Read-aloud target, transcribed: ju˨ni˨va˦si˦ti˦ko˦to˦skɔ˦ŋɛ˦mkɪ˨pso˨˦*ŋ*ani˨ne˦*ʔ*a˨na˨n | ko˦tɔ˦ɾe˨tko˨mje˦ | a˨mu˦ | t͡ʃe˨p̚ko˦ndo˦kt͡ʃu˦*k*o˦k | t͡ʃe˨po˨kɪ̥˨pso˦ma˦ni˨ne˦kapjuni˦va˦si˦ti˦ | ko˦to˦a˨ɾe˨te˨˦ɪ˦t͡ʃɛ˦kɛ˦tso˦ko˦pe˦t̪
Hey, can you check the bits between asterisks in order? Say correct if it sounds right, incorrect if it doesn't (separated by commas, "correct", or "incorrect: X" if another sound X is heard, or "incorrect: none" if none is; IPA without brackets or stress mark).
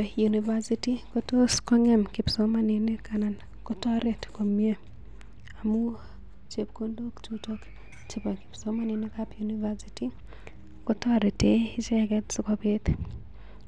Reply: incorrect: m, incorrect: k, incorrect: t